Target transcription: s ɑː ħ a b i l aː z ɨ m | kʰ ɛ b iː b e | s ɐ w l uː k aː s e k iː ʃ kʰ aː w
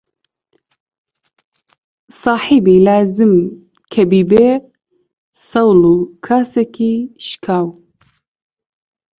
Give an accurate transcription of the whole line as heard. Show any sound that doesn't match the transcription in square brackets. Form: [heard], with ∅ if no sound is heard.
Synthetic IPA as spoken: s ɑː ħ [i] b i l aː z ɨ m | kʰ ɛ b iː b e | s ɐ w l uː [kʰ] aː s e k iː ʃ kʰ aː w